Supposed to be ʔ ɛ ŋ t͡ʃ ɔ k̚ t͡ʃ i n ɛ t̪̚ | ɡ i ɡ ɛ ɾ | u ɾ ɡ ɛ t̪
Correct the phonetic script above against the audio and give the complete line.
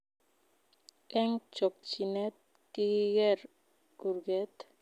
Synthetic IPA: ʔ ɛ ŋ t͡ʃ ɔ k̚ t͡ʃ i n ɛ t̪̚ | k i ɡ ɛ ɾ | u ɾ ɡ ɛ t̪